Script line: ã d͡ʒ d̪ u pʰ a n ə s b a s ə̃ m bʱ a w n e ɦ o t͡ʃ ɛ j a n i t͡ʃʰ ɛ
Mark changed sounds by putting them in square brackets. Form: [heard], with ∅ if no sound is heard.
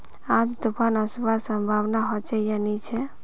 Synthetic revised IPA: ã d͡ʒ d̪ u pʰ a n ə s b a s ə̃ m bʱ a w n [a] ɦ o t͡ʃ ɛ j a n i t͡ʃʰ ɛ